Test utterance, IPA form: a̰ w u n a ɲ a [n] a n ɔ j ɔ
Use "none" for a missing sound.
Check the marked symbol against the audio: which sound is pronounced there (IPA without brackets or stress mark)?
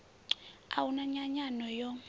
ɲ